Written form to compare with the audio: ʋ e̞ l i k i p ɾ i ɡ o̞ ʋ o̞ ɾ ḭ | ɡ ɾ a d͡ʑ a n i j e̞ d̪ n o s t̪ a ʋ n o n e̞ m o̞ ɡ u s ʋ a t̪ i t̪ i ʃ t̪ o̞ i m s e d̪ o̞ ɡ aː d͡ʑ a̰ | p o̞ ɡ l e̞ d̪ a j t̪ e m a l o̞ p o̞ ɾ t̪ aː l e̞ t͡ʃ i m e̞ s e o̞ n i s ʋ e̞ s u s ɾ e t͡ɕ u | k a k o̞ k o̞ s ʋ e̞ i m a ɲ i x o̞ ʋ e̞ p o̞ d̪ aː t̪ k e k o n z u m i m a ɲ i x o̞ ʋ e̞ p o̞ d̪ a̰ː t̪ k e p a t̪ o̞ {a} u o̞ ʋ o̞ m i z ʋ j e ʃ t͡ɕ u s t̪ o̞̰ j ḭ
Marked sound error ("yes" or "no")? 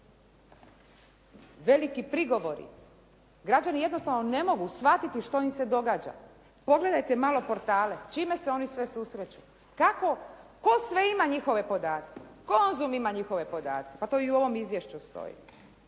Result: yes